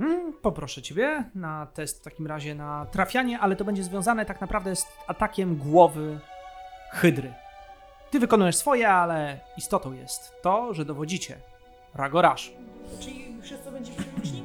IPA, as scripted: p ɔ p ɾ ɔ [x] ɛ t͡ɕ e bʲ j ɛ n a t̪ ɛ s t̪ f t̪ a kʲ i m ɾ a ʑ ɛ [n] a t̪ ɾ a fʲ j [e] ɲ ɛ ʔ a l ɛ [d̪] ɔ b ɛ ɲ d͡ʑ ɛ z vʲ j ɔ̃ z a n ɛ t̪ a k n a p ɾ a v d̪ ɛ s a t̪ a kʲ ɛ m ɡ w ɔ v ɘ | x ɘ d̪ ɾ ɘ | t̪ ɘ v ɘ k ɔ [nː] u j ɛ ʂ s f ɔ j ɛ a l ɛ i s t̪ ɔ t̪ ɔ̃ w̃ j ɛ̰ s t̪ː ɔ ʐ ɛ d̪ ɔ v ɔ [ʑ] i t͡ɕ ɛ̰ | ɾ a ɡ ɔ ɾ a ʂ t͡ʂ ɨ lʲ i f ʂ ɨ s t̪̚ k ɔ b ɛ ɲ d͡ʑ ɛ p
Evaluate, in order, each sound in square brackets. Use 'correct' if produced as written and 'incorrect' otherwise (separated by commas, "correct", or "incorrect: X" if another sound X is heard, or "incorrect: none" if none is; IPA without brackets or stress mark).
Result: incorrect: ʂ, correct, incorrect: a, incorrect: t̪, incorrect: n, incorrect: d͡ʑ